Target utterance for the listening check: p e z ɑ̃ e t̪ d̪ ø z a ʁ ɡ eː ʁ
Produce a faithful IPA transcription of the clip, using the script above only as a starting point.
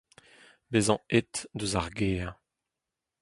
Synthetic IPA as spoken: b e z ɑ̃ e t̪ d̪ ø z a ʁ ɡ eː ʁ

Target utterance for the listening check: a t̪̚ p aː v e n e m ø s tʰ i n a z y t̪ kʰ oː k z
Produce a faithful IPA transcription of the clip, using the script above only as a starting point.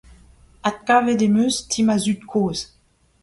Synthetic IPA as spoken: a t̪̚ k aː v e d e m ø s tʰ i m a z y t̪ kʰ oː z

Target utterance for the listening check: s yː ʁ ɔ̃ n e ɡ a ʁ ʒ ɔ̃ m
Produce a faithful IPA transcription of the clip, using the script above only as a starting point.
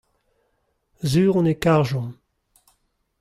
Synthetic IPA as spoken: z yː ʁ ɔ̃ n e k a ʁ ʒ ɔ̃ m

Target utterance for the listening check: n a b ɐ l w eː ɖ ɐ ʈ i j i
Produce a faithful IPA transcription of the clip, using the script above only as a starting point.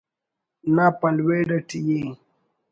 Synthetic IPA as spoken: n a p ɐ l w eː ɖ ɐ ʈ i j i

